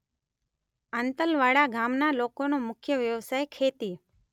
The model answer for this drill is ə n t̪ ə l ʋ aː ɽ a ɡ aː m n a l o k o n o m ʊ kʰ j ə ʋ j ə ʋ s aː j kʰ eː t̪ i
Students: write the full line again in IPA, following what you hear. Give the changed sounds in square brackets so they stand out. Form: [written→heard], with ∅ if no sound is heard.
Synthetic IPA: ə n t̪ ə l ʋ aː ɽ a ɡ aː m n a l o k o n o m ʊ kʰ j ə ʋ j ə ʋ s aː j kʰ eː t̪ i